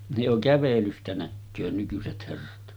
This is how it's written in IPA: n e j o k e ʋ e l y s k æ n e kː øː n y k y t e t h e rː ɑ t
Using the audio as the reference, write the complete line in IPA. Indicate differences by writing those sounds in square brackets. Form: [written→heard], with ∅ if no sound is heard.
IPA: n e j o k [e→æ] ʋ e l y s [k→t] æ n [e→æ] kː øː n y k y [t→s] e t h e rː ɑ t